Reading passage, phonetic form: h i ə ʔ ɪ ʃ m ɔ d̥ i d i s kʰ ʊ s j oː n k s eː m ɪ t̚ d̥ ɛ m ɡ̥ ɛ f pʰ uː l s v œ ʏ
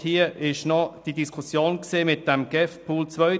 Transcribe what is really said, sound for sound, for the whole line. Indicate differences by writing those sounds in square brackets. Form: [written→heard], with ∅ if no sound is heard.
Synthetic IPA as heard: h i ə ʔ ɪ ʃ [m→n] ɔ d̥ i d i s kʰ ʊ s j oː n k s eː m ɪ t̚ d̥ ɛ m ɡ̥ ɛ f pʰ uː l [s→t͡s] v œ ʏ

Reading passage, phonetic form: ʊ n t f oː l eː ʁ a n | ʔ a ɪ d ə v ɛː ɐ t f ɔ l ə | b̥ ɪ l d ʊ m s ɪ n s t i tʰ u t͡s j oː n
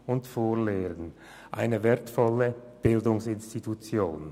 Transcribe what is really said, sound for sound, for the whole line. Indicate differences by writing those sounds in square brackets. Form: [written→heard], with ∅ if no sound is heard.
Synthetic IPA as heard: ʊ n t f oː l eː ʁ [a→ə] n | ʔ a ɪ [d→n] ə v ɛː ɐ t f ɔ l ə | b̥ ɪ l d ʊ [m→ŋ] s ɪ n s t i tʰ u t͡s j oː n

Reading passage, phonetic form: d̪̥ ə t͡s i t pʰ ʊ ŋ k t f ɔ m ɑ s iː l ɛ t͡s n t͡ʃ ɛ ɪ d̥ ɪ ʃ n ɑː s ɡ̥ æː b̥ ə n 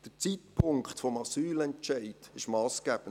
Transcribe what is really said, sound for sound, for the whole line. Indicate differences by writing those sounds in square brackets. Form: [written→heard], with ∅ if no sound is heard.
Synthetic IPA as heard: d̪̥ ə t͡s i t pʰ ʊ ŋ k t f ɔ m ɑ s [iː→yː] l ɛ [t͡s→∅] n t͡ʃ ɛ ɪ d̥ ɪ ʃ [n→m] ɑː s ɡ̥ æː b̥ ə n

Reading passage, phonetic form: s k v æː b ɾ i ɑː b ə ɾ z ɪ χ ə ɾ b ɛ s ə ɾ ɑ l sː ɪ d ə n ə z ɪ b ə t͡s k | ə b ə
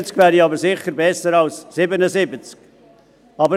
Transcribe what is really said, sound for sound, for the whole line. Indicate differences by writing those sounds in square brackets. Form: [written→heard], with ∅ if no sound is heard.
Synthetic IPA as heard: [s→t͡s] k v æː [b→∅] ɾ i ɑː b ə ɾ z ɪ χ ə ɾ b ɛ s ə ɾ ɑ l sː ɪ [d→b] ə n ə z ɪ b ə t͡s k | [ə→ɑ] b ə

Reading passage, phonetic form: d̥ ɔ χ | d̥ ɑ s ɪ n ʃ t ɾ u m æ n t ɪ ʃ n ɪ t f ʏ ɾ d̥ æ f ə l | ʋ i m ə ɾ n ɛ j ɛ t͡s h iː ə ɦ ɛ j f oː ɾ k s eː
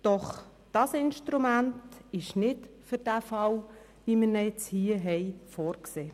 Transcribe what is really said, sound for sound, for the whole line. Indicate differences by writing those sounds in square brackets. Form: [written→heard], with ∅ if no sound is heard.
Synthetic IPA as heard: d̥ ɔ χ | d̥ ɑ s ɪ n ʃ t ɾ u m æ n t ɪ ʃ n ɪ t f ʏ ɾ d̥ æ f [ə→ɑ] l | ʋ i m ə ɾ n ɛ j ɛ t͡s h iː ə ɦ ɛ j f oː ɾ k s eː

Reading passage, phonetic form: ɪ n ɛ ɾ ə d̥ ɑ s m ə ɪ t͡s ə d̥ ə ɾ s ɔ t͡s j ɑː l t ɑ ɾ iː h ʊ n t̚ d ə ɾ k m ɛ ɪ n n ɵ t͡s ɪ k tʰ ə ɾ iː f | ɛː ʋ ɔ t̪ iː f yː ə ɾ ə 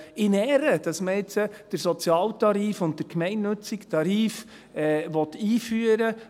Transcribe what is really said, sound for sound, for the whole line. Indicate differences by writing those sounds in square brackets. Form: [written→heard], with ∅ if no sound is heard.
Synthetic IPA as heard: ɪ n ɛ ɾ ə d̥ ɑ s m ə ɪ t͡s ə d̥ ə ɾ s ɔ t͡s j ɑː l t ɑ ɾ iː [h→f] ʊ n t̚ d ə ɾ k m ɛ ɪ n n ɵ t͡s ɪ k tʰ [ə→ɑ] ɾ iː f | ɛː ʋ ɔ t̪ iː f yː ə ɾ ə

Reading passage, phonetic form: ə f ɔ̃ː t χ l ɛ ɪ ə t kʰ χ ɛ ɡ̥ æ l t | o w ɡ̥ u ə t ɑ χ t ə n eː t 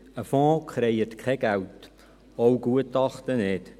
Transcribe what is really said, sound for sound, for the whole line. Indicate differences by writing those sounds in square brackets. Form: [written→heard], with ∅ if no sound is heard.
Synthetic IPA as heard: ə f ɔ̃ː [t→k] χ [l→ɾ] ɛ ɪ ə t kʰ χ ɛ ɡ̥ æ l t | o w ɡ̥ u ə t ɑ χ t ə n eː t

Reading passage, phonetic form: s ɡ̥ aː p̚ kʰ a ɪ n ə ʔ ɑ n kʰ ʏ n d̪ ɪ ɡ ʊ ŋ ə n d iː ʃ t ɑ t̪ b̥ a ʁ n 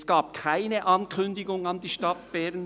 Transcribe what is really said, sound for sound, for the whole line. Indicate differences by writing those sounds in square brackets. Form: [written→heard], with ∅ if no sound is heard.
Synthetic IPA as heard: s ɡ̥ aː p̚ kʰ a ɪ n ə ʔ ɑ n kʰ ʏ n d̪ ɪ ɡ ʊ ŋ [ə→ɑ] n d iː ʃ t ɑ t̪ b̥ [a→ɛ] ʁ n

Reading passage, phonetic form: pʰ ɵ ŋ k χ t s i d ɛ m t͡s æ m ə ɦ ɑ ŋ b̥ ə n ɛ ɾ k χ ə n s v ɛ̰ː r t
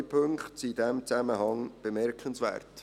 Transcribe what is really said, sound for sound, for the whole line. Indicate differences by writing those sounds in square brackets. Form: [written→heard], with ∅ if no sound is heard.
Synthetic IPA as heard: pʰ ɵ ŋ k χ t s i d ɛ m t͡s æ m ə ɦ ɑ ŋ b̥ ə [n→m] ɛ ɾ k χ ə n s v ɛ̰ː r t

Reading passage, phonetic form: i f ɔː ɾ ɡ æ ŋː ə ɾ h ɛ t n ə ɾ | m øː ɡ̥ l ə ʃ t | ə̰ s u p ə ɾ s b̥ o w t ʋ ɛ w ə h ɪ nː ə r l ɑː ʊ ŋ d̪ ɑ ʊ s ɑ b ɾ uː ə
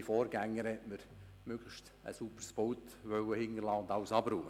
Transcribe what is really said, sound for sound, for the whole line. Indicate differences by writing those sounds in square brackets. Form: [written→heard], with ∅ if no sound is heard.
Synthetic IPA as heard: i f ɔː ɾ ɡ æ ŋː ə ɾ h ɛ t [n→m] ə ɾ | m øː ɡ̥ l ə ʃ t | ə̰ s u p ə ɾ s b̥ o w t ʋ [ɛ→œ] w ə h ɪ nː ə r l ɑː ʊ [ŋ→n] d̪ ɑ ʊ s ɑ b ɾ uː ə

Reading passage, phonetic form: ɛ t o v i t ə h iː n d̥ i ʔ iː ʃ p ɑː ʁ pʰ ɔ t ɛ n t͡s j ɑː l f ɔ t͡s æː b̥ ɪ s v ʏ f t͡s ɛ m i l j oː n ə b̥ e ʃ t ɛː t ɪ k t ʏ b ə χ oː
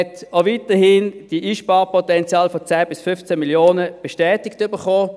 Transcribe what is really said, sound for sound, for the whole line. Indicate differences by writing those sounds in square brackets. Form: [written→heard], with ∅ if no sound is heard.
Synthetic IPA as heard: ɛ t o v i t ə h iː n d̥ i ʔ iː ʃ p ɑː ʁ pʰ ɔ t ɛ n t͡s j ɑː l f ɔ t͡s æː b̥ ɪ s [v→f] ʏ f t͡s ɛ m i l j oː n ə b̥ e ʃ t ɛː t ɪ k t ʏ b ə χ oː

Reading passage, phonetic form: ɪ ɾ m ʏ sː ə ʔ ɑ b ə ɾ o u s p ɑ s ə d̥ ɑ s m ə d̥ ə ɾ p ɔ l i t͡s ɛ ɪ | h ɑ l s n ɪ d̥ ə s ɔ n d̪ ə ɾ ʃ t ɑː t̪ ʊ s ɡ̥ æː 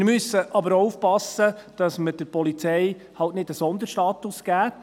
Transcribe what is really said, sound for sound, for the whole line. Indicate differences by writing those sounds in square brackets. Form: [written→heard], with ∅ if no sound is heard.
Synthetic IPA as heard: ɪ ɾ m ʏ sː ə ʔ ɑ b ə ɾ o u [s→f] p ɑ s ə d̥ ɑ s m ə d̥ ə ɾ p ɔ l i t͡s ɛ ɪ | h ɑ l [s→t] n ɪ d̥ ə s ɔ n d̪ ə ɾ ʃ t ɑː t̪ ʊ s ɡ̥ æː

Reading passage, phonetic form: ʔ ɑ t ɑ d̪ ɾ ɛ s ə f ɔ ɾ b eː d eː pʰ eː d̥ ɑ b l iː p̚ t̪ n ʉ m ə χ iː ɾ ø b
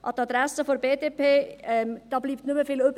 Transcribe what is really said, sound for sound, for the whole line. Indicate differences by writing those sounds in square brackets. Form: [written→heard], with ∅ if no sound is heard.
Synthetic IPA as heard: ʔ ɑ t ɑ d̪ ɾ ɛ s ə f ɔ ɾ b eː d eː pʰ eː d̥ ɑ b l iː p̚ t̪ n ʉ m ə [χ→f] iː [ɾ→l] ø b

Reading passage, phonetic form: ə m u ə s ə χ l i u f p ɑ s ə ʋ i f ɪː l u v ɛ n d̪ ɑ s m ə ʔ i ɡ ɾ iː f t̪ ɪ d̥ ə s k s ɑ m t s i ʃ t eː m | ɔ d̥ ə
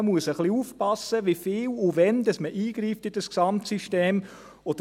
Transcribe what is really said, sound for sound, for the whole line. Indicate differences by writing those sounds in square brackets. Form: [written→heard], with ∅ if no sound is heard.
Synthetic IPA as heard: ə m u ə s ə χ l i u f p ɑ s ə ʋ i f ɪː l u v ɛ n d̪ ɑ s m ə ʔ [i→iː] ɡ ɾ iː f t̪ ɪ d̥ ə s k s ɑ m t s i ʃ t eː m | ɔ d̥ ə

